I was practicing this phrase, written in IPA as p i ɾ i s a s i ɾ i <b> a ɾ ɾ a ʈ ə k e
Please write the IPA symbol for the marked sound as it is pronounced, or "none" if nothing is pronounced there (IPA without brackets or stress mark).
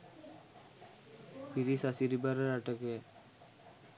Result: b